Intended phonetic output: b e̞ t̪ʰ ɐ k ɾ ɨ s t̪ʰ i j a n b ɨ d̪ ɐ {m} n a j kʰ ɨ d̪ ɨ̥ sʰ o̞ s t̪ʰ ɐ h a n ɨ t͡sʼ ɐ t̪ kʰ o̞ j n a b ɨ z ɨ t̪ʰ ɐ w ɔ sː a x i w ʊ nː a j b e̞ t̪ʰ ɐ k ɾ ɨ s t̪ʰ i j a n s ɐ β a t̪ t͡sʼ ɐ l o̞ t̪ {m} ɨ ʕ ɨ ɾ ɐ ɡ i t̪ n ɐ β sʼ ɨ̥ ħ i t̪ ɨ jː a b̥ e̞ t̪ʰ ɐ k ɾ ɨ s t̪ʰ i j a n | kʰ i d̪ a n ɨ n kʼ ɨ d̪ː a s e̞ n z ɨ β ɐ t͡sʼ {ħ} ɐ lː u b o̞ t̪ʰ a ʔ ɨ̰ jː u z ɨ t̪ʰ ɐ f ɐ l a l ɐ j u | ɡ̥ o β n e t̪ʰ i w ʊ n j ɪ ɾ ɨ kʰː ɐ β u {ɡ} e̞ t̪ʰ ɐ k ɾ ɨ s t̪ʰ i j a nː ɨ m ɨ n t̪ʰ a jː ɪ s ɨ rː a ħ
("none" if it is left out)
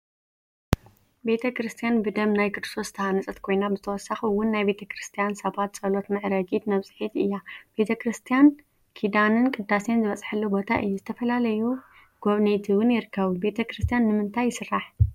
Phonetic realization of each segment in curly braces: m, n, ħ, b

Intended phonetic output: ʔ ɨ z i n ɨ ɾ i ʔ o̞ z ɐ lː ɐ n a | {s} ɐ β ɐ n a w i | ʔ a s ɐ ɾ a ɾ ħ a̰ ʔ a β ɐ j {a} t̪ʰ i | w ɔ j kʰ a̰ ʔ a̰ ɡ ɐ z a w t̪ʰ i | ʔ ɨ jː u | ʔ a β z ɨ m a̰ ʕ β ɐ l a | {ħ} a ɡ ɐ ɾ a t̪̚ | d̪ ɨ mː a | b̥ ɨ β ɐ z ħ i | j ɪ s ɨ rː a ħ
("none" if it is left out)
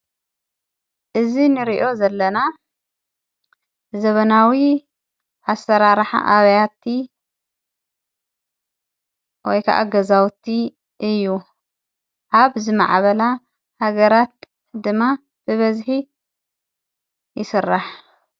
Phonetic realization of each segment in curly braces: z, a, h

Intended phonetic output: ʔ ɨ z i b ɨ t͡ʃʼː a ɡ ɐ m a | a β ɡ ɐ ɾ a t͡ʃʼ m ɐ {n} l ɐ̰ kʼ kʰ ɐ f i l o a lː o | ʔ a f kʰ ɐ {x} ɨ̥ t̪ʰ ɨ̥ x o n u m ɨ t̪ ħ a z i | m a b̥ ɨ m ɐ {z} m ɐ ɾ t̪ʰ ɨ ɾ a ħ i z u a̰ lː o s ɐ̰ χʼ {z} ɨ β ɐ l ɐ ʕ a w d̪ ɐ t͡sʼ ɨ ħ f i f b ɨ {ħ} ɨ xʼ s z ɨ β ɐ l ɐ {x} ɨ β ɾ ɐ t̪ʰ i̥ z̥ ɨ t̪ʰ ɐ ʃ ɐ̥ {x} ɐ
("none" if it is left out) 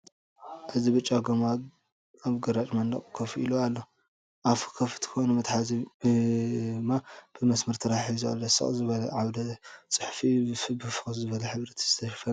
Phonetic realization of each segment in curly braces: n, f, s, z, f, ħ, f

